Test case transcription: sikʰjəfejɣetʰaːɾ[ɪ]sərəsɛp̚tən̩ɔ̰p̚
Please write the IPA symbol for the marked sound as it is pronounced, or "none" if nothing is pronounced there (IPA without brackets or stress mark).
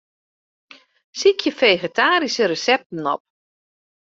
i